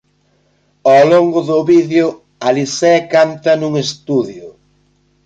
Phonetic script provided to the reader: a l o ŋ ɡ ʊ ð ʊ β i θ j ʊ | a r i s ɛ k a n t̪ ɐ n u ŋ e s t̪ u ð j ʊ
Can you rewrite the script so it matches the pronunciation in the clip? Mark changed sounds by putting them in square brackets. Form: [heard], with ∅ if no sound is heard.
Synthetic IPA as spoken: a l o ŋ ɡ ʊ ð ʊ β i [ð] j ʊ | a [l] i s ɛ k a n t̪ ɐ n u ŋ e s t̪ u ð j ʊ